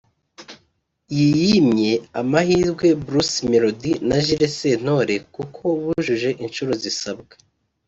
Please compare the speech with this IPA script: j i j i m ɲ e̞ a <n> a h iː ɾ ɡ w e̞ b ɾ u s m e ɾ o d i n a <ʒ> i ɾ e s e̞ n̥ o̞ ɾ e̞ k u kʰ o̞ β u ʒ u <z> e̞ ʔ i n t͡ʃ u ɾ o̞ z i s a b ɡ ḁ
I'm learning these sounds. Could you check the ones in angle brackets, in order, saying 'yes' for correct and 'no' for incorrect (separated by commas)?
no, yes, no